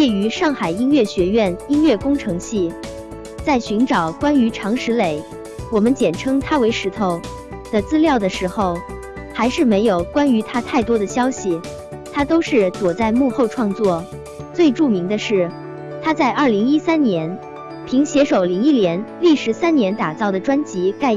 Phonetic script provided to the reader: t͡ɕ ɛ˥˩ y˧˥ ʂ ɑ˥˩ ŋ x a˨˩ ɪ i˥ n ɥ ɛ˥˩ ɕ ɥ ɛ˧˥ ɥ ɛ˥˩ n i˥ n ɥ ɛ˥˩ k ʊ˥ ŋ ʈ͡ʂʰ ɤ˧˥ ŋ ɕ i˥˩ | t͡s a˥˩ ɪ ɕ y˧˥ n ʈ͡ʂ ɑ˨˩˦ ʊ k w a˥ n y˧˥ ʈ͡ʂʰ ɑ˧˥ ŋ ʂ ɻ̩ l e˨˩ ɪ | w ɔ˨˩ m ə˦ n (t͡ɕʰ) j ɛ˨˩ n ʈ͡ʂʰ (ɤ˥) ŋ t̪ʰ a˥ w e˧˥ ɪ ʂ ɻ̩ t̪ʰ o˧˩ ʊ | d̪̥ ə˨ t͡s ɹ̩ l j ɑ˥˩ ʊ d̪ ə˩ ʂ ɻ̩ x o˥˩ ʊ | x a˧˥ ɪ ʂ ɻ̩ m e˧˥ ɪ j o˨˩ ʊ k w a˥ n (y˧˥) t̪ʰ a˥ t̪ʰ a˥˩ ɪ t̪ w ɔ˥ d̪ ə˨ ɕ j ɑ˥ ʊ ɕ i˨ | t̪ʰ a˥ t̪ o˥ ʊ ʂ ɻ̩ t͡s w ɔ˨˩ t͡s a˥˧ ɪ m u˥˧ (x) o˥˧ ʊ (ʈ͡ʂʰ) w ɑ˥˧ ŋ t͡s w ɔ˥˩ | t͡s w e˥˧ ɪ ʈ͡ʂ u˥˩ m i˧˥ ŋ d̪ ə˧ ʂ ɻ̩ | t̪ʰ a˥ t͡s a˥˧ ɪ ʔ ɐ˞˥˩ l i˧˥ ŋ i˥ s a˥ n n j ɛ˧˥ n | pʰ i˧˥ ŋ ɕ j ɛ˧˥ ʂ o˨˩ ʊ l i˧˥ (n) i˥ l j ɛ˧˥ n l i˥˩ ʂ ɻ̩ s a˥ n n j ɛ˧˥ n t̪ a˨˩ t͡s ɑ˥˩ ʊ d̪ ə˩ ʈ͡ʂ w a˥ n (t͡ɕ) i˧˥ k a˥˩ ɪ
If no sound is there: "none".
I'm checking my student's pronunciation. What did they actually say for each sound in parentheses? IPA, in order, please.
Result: t͡ɕ, ɤ˥, y˧˥, x, ʈ͡ʂʰ, ŋ, t͡ɕ

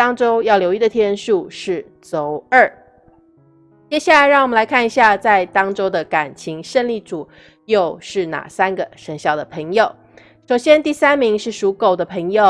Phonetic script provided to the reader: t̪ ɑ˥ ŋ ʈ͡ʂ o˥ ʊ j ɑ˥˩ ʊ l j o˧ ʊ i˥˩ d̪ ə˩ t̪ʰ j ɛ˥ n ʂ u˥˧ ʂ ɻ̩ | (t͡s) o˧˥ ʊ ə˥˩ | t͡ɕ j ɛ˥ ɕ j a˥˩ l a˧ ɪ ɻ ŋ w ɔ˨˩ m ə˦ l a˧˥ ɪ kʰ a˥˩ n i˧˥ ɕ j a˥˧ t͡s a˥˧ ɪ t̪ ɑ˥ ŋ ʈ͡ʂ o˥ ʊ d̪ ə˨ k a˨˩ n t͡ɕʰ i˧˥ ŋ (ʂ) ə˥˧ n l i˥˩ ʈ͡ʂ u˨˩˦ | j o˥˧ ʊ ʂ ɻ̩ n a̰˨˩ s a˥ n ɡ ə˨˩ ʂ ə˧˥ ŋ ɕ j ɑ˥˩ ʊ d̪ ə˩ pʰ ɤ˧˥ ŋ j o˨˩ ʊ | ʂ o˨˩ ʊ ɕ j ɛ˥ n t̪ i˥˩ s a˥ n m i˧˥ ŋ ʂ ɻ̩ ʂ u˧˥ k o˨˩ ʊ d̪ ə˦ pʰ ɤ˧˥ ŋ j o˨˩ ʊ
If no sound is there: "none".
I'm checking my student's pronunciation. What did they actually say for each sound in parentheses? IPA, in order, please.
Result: t͡s, ʂ

